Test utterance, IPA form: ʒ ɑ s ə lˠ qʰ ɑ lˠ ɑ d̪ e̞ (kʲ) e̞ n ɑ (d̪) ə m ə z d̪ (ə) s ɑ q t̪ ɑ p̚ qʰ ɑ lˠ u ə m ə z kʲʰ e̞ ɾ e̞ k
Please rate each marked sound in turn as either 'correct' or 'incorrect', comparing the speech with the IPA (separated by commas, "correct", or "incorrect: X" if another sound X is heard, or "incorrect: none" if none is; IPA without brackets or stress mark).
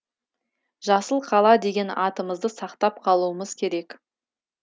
incorrect: ɡʲ, incorrect: t̪, correct